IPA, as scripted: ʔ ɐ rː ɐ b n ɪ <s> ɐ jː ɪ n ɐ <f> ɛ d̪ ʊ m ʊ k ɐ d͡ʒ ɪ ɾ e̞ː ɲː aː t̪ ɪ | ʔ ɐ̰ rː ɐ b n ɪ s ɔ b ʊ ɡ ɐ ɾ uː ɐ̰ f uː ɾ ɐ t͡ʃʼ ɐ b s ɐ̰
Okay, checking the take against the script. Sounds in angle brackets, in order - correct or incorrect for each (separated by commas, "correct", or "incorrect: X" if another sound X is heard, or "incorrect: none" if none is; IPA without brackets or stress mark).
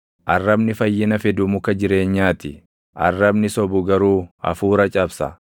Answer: incorrect: f, correct